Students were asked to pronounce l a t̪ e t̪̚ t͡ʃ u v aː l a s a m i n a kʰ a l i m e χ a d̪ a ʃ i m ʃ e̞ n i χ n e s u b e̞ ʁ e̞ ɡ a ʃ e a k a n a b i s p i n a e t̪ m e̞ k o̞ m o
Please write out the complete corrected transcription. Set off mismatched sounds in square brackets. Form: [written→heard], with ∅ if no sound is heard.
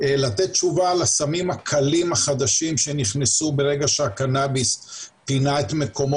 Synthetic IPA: l a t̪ e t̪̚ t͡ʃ u v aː l a s a m i [n→m] a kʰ a l i m [e→a] χ a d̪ a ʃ i m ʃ e̞ n i χ n e s u b e̞ ʁ e̞ ɡ a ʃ e a k a n a b i s p i n a e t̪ m e̞ k o̞ m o

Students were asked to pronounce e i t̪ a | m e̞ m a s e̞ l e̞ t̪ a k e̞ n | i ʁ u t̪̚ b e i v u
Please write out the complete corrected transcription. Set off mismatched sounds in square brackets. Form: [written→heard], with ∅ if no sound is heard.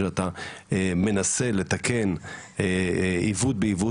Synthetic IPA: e [i→a] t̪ a | m e̞ [m→n] a s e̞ l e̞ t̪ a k e̞ n | i [ʁ→v] u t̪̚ b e i v u

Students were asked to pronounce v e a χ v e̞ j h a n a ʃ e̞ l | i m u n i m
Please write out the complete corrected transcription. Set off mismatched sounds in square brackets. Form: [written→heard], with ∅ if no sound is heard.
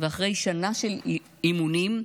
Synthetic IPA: v e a χ [v→ʁ] e̞ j [h→ʃ] a n a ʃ e̞ l | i m u n i m

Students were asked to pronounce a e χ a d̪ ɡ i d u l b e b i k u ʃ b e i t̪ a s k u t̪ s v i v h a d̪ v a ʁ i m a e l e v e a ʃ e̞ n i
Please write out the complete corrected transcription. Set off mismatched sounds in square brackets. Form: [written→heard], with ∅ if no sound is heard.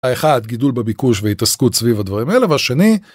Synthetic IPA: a e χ a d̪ ɡ i d u l b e b i k u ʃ [b→v] e i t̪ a s k u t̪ s v i v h a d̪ v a ʁ i m a e l e v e a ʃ e̞ n i

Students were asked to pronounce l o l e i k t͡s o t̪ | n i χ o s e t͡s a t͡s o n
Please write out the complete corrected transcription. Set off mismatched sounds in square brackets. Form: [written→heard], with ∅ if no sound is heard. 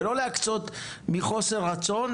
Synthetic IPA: l o l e [i→a] k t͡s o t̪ | [n→m] i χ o s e [t͡s→∅] a t͡s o n

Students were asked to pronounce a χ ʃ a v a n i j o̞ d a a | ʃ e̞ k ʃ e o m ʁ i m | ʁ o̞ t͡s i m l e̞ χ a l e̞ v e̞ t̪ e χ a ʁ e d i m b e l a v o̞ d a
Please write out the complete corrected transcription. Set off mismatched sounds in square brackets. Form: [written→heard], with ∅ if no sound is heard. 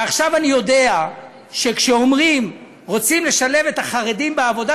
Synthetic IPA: a χ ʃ a v a n i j o̞ d [a→e] a | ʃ e̞ k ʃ e o m ʁ i m | ʁ o̞ t͡s i m l e̞ [χ→ʃ] a l e̞ v e̞ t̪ [e→a] χ a ʁ e d i m b e [l→∅] a v o̞ d a

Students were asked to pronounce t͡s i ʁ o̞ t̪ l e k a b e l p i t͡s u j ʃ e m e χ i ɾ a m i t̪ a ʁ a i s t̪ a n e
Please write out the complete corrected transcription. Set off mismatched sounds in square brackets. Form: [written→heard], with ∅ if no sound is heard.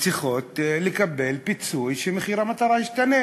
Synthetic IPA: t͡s i [ʁ→χ] o̞ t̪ l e k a b e l p i t͡s u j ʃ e m e χ i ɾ a m [i→a] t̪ a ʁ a i [s→ʃ] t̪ a n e

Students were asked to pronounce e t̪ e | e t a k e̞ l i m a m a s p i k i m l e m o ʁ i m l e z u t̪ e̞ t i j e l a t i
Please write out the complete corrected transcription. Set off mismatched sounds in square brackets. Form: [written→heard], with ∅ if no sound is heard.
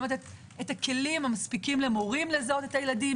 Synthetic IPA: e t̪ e | e t a k e̞ l i m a m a s p i k i m l e m o ʁ i m l e z [u→o] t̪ e̞ t [i→a] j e l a [t→d] i

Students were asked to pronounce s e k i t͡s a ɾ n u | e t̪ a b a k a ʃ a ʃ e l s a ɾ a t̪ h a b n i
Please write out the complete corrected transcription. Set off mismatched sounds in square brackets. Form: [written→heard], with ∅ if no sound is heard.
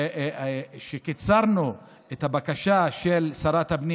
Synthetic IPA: [s→ʃ] e k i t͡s a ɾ n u | e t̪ a b a k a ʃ a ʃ e l s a ɾ a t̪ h a b n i

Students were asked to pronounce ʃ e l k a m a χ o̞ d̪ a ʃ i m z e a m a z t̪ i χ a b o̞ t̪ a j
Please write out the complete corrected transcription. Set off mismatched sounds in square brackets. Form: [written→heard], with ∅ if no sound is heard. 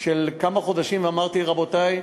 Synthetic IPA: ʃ e l k a m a χ o̞ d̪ a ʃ i m [z→v] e a m a [z→ʁ] t̪ i [χ→ʁ] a b o̞ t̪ a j

